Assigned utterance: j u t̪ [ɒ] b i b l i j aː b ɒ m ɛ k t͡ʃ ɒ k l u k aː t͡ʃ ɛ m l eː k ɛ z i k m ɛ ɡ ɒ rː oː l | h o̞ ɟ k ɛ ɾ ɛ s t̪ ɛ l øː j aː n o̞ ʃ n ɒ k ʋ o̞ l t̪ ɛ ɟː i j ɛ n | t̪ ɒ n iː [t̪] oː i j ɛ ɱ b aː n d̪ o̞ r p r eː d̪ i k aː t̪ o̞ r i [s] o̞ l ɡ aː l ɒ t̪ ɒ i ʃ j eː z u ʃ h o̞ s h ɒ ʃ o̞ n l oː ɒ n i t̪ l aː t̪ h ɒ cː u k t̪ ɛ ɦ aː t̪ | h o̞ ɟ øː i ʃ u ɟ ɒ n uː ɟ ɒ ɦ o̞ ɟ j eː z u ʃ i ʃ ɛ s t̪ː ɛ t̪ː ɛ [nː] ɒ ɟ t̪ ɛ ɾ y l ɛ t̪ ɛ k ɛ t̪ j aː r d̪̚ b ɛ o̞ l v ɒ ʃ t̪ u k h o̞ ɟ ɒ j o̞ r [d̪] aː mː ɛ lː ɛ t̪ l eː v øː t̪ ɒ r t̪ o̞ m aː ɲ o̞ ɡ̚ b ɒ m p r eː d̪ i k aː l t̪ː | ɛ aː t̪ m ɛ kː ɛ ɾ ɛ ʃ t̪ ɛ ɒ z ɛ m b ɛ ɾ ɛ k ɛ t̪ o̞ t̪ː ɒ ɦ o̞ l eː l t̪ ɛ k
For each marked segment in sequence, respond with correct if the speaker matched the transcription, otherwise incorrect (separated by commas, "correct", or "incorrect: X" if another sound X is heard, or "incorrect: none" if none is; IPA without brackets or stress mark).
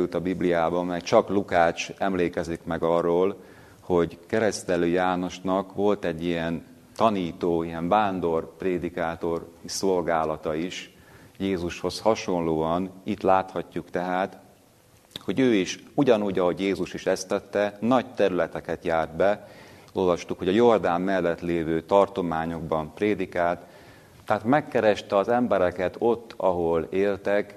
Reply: correct, correct, correct, incorrect: n, correct